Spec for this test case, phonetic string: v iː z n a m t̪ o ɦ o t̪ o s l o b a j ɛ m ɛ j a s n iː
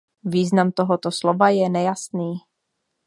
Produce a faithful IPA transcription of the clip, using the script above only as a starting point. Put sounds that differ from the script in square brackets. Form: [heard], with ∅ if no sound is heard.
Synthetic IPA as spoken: v iː z n a m t̪ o ɦ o t̪ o s l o [v] a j ɛ [n] ɛ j a s n iː